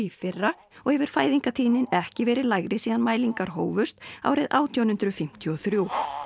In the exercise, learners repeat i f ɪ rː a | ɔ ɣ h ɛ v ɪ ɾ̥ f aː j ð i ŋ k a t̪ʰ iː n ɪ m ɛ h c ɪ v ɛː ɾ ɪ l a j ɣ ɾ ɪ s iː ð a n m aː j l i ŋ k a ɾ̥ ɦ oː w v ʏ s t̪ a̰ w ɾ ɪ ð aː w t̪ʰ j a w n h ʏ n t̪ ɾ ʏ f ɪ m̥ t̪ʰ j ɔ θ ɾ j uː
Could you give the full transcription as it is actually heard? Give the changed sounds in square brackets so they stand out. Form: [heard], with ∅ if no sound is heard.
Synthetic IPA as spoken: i f ɪ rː a | ɔ ɣ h ɛ v ɪ ɾ̥ f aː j ð i ŋ k a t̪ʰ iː n ɪ [n] ɛ h c ɪ v ɛː ɾ ɪ l a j ɣ ɾ ɪ s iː ð a n m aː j l i ŋ k a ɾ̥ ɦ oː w v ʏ s t̪ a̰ w ɾ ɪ ð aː w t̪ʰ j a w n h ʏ n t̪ ɾ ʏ f ɪ m̥ t̪ʰ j ɔ θ ɾ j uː